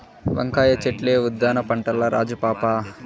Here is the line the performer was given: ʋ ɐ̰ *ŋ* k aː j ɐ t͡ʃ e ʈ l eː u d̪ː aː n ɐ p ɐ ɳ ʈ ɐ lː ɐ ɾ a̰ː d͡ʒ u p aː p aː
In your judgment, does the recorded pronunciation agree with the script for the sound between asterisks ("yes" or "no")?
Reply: yes